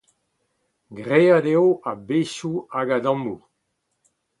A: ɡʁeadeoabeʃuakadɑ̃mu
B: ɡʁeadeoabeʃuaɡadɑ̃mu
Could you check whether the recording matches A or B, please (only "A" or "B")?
B